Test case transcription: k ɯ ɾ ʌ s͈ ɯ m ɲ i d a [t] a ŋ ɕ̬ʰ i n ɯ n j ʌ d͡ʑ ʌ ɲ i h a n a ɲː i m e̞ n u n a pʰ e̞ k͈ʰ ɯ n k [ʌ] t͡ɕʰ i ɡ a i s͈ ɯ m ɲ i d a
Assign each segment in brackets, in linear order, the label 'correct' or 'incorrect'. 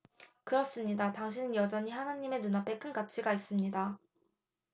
correct, incorrect

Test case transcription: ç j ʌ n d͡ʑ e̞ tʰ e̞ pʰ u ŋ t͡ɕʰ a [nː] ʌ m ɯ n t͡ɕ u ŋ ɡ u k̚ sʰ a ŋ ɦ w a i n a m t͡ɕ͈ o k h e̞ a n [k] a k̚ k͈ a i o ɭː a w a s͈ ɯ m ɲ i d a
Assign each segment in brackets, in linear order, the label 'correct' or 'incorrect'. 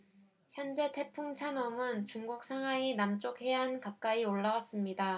incorrect, correct

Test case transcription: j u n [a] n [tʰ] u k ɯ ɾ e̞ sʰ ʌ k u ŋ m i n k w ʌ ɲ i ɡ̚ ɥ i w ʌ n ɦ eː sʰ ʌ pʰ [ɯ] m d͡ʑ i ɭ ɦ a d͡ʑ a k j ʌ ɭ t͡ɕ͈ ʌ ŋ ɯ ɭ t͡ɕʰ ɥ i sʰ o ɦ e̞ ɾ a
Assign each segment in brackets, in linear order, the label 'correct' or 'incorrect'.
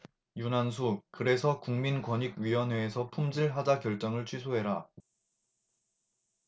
correct, incorrect, incorrect

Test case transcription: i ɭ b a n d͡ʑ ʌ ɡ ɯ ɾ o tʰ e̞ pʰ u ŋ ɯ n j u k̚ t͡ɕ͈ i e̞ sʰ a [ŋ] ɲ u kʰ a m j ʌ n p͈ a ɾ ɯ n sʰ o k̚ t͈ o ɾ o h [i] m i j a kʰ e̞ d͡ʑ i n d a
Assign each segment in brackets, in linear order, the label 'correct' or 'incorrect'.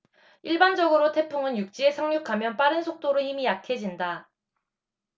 correct, correct

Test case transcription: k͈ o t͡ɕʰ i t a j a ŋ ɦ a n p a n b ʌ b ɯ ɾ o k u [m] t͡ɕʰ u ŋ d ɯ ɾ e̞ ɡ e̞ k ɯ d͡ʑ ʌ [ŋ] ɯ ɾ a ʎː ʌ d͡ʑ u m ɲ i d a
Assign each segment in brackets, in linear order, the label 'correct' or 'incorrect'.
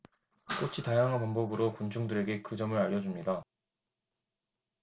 incorrect, incorrect

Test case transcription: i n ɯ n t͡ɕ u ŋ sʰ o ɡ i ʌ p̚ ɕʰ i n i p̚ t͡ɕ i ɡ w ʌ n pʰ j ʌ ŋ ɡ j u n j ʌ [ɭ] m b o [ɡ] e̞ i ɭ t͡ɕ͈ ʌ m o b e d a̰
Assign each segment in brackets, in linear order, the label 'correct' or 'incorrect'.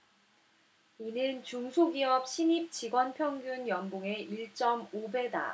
incorrect, incorrect

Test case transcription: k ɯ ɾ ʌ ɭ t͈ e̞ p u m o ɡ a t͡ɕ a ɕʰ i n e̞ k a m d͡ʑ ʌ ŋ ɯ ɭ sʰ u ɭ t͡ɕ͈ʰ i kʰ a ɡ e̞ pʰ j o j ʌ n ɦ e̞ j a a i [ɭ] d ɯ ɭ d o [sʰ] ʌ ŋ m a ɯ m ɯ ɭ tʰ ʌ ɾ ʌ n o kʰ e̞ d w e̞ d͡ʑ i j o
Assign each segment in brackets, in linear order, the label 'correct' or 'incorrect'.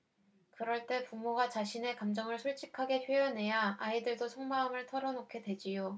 incorrect, correct

